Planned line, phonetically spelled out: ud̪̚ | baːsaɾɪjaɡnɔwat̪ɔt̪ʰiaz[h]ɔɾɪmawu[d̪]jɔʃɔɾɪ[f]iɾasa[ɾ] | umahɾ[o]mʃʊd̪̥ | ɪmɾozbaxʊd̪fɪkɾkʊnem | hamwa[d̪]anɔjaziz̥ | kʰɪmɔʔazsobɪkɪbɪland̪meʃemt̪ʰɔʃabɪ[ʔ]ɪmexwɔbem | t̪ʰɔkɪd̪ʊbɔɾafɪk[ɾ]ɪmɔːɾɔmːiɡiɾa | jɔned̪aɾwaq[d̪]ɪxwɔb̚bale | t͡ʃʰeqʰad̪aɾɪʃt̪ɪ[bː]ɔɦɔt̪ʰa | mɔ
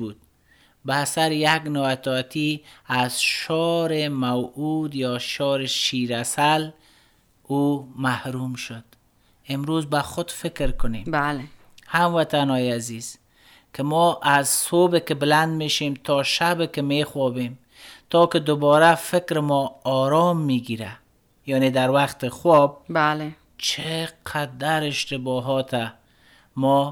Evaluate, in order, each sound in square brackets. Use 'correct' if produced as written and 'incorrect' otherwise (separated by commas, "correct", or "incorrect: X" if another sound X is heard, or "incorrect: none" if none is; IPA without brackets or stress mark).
incorrect: ʃ, correct, incorrect: ʃ, incorrect: l, incorrect: u, incorrect: t̪, incorrect: k, correct, incorrect: t̪, incorrect: b